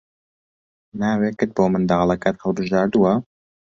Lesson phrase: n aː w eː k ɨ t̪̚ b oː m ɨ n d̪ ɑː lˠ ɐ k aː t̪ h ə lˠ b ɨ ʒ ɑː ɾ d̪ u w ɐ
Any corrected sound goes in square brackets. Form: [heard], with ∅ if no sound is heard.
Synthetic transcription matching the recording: n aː w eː k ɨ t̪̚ b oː m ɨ n d̪ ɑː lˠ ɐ k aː t̪ h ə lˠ b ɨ ʒ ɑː ɾ d̪ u w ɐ